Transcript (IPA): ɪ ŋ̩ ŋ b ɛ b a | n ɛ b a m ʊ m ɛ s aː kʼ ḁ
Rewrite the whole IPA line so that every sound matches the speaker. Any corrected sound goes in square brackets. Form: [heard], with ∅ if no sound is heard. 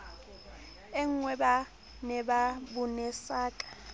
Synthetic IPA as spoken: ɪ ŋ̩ ŋ [w] ɛ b a | n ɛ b a [b] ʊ [n] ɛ s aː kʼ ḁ